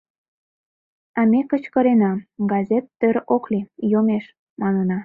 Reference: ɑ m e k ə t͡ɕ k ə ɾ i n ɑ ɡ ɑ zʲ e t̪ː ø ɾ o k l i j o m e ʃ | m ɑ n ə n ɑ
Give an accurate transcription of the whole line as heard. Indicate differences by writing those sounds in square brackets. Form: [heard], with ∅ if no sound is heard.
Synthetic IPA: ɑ m e k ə t͡ɕ k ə ɾ [e] n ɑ ɡ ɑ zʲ e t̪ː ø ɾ o k l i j o m e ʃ | m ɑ n ə n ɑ